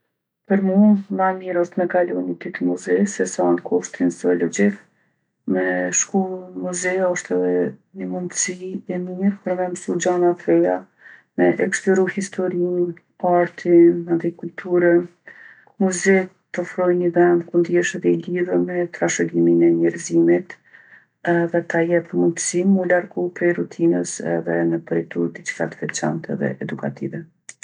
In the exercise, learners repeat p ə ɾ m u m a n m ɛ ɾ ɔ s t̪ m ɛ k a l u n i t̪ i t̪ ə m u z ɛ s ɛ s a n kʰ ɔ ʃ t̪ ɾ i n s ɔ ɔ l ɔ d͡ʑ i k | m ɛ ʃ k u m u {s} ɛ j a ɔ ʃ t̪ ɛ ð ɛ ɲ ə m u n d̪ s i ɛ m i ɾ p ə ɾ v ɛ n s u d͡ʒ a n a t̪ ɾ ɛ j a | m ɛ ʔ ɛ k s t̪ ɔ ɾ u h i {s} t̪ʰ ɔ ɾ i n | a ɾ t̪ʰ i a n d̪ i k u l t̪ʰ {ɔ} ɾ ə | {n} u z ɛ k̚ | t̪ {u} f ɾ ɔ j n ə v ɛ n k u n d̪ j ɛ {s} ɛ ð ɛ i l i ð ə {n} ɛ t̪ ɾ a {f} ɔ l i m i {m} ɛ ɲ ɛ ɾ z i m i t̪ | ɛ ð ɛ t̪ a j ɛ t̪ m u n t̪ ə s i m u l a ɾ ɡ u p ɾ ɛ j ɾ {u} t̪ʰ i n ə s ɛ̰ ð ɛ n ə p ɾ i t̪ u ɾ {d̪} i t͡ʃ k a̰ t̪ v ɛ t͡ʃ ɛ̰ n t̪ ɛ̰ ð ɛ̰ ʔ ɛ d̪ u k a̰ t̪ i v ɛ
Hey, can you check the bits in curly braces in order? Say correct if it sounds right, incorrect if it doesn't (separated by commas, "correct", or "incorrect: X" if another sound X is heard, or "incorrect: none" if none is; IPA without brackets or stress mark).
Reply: incorrect: z, correct, incorrect: u, incorrect: m, incorrect: ɔ, incorrect: ʃ, incorrect: m, incorrect: ʃ, incorrect: n, correct, correct